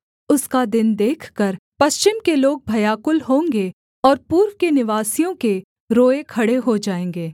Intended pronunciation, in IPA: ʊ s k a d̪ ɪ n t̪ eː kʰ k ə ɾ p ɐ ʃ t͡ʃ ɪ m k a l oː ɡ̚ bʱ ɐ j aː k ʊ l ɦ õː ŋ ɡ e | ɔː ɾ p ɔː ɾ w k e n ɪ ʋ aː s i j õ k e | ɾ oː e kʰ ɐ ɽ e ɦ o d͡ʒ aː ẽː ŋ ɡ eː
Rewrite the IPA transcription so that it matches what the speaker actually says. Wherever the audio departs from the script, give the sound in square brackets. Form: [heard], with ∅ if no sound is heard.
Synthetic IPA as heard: ʊ s k a d̪ ɪ n [d̪] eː kʰ k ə ɾ p ɐ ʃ t͡ʃ ɪ m k [e] l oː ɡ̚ bʱ ɐ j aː k ʊ l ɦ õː ŋ ɡ e | ɔː ɾ p [uː] ɾ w k e n ɪ ʋ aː s i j õ k e | ɾ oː e kʰ ɐ ɽ e ɦ o d͡ʒ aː ẽː ŋ ɡ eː